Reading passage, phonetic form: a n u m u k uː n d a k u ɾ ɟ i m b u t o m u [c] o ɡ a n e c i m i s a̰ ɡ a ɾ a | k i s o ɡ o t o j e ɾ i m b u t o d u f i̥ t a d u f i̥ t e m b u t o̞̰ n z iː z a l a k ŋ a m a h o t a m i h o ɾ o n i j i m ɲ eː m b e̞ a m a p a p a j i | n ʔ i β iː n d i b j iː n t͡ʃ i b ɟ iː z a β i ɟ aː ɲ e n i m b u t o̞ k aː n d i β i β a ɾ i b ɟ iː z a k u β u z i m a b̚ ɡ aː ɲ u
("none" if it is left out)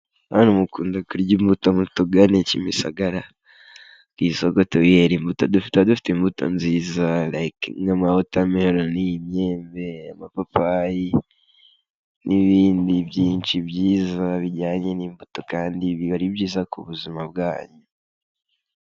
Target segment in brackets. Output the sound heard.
t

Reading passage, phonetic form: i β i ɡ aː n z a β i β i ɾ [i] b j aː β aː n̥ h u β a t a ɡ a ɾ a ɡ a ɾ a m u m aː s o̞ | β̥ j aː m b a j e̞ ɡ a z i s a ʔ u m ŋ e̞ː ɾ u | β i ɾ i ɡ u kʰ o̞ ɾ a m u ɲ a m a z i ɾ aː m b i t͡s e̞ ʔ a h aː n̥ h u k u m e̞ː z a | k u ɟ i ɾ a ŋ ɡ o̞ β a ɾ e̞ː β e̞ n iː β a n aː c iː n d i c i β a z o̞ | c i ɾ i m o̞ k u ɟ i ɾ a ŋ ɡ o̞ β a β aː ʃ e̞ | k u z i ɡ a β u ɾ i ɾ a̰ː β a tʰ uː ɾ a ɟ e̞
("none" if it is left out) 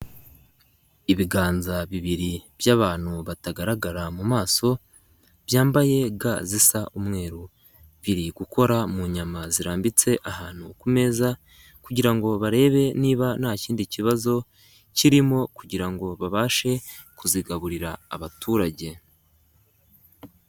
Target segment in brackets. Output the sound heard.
i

